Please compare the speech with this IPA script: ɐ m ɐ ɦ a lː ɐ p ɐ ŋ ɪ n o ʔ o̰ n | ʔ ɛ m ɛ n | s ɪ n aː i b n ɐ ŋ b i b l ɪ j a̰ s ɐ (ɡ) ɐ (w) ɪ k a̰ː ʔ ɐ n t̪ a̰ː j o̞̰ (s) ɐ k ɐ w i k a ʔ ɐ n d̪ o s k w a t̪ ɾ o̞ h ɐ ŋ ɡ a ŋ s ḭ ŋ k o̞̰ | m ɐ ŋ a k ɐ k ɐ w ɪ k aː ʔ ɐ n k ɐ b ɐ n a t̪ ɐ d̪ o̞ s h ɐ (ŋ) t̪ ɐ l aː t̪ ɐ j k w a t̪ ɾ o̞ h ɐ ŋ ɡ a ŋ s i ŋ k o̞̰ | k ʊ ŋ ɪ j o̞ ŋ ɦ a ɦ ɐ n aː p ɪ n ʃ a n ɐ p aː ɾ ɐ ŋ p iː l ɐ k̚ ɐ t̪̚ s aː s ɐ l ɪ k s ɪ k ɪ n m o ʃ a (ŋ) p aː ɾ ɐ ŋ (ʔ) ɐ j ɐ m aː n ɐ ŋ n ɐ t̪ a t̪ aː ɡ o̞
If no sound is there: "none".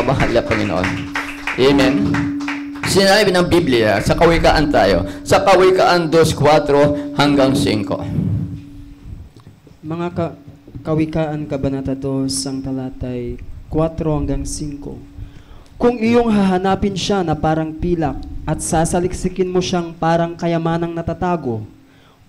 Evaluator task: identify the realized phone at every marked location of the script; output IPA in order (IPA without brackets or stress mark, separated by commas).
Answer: k, w, s, ŋ, ŋ, k